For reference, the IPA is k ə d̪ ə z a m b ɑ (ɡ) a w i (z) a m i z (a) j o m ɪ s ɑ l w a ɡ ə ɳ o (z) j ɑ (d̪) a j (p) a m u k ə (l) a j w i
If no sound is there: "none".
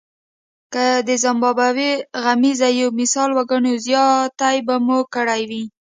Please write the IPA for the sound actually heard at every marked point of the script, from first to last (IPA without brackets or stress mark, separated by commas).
b, ɣ, a, z, t̪, b, ɽ